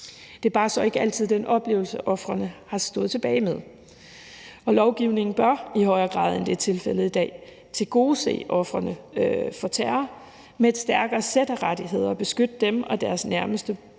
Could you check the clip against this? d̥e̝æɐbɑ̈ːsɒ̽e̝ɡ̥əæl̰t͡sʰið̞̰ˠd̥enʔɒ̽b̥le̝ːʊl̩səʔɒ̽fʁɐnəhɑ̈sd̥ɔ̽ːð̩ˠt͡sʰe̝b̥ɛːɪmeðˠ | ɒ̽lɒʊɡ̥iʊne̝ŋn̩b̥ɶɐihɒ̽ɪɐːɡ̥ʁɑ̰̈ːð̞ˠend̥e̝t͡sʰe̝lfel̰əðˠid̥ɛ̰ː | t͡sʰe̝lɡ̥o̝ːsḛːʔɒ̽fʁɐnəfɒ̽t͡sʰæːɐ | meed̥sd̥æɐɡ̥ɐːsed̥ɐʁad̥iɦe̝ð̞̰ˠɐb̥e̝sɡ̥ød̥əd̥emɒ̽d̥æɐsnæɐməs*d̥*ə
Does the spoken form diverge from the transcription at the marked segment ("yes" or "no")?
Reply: no